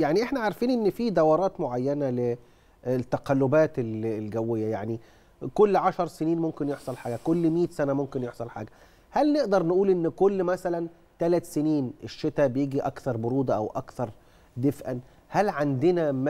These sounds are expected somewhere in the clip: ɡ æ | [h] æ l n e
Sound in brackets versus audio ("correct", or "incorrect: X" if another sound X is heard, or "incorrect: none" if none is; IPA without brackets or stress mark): correct